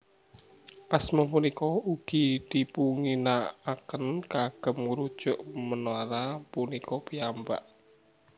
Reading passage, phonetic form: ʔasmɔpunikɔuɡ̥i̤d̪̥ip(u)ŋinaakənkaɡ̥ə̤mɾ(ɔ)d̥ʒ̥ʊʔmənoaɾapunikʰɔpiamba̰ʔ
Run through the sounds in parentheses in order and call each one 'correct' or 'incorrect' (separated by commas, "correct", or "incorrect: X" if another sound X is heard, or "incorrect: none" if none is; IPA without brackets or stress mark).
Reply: correct, incorrect: u